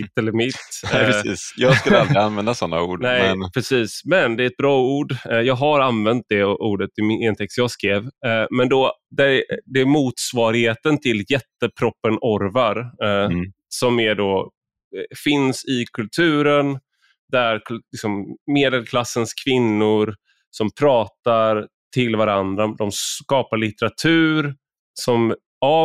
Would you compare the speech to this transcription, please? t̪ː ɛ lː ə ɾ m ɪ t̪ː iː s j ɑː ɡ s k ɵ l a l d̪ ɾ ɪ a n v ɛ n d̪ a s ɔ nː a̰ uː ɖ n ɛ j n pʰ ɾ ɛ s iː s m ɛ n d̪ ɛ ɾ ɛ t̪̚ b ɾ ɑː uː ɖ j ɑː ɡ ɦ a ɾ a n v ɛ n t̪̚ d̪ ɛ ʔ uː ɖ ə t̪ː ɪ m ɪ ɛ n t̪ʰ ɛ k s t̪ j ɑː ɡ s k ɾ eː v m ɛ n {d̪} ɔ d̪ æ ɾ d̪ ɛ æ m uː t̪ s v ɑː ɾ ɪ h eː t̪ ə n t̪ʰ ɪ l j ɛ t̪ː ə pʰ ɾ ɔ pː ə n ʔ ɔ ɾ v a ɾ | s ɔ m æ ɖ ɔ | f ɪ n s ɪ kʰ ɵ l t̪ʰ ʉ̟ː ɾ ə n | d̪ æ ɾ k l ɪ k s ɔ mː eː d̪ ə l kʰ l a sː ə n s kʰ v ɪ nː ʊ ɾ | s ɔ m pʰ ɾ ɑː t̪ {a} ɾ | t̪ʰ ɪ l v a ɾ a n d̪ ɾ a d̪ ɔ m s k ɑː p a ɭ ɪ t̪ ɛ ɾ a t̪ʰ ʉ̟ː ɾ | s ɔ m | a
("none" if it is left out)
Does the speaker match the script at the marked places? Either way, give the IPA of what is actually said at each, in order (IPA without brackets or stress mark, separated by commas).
d̪, a